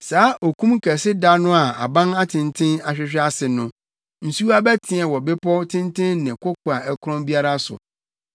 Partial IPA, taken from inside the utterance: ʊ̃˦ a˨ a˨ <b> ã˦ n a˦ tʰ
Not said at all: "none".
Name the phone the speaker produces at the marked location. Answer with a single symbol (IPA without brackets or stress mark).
b